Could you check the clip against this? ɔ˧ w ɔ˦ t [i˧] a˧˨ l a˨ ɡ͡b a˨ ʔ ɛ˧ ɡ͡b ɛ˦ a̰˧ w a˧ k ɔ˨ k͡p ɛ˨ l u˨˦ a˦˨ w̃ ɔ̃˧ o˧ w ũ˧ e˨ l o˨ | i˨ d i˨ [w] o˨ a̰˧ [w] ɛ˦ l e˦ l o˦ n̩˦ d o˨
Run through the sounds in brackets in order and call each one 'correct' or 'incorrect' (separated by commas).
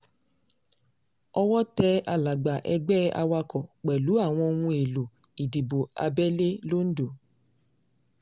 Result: incorrect, incorrect, incorrect